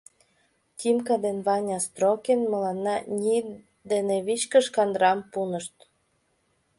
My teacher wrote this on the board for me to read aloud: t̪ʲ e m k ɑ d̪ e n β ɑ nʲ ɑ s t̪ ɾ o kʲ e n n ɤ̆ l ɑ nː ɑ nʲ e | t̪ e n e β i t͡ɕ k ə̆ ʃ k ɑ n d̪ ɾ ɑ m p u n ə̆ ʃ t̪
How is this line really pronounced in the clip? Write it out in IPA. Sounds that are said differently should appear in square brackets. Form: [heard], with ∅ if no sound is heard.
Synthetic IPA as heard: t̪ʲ [i] m k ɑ d̪ e n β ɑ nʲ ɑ s t̪ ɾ o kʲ e n [m] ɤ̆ l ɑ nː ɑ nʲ [i] | [d̪] e n e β i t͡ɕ k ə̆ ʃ k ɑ n d̪ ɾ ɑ m p u n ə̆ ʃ t̪

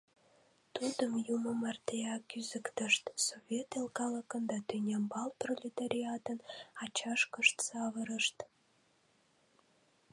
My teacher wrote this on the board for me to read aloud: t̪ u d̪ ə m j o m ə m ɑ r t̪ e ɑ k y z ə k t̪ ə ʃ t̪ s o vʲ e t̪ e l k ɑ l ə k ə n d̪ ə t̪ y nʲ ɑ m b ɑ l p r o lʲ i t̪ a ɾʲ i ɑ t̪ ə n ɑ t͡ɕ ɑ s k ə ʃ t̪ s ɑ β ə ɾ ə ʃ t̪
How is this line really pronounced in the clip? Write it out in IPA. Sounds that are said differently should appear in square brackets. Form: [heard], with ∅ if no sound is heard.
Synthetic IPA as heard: t̪ u d̪ ə m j [u] m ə m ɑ r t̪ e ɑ k y z ə k t̪ ə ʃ t̪ s o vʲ e t̪ e l k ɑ l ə k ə n d̪ [ɑ] t̪ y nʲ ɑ m b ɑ l p r o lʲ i t̪ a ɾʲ i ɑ t̪ ə n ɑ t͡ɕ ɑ [ʃ] k ə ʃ t̪ s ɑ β ə ɾ ə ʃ t̪

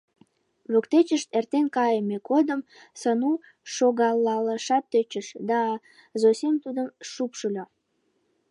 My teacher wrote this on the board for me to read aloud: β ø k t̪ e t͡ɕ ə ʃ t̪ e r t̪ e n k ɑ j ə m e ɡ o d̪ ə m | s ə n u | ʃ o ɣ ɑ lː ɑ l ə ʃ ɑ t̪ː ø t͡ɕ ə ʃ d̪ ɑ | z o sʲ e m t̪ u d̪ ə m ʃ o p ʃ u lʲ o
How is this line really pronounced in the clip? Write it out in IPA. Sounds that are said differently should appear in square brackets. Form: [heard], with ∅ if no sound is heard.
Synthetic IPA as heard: β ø k t̪ e t͡ɕ ə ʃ t̪ e r t̪ e n k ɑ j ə m e [k] o d̪ ə m | s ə n u | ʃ o ɣ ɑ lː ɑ l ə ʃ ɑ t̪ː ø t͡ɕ ə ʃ d̪ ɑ | z o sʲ e m t̪ u d̪ ə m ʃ [u] p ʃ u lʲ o

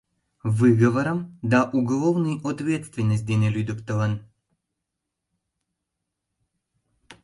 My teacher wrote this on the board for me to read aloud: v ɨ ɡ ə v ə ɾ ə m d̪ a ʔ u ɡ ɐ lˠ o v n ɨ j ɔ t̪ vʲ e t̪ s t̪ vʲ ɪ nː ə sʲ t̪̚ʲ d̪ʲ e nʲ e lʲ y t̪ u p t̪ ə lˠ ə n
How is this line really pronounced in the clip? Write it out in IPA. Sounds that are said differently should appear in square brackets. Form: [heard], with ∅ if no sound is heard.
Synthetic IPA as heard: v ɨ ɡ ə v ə ɾ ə m d̪ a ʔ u ɡ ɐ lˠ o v n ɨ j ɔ t̪ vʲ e t̪ s t̪ vʲ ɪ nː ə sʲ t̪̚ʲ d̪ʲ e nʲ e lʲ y [d̪] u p t̪ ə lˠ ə n

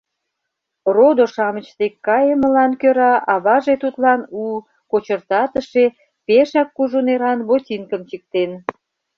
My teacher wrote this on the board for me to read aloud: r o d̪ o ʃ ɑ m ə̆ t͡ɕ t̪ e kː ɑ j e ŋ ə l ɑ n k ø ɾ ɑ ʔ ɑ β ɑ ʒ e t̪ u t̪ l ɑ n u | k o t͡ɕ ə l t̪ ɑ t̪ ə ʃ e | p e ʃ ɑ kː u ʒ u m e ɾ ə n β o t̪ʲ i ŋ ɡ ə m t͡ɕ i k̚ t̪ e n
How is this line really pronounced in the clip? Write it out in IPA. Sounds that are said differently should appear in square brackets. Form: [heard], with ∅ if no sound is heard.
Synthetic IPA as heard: r o d̪ o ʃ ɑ m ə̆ t͡ɕ t̪ e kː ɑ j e [m] ə l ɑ n k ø ɾ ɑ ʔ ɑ β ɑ ʒ e t̪ u t̪ l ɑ n u | k o t͡ɕ ə [r] t̪ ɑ t̪ ə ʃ e | p e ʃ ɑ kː u ʒ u [n] e ɾ [ɑ] n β o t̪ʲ i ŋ [k] ə m t͡ɕ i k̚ t̪ e n

